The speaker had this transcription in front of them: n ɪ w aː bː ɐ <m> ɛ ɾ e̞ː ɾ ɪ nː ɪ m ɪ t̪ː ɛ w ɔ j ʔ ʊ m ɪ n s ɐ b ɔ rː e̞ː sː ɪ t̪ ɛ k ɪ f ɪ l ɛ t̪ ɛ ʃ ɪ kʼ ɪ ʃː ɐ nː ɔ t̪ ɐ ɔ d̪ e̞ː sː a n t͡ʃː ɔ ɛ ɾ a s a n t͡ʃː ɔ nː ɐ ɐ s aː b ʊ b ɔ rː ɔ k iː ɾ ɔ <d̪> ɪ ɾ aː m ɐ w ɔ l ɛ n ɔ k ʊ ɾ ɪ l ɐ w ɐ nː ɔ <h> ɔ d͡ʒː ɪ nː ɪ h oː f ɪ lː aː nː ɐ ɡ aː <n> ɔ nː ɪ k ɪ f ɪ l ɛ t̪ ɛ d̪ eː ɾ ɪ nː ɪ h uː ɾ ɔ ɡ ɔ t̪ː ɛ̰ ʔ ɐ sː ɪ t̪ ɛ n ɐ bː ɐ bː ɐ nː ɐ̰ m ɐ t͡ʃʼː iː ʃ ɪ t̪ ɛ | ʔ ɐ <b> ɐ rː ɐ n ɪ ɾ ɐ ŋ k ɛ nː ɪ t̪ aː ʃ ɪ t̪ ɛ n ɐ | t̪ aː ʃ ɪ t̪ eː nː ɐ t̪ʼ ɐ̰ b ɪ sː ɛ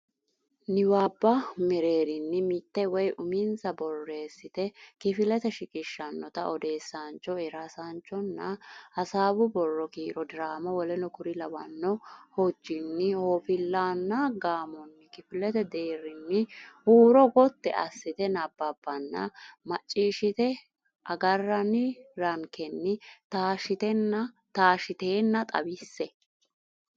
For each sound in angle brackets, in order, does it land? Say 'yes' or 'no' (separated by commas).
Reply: yes, yes, yes, no, no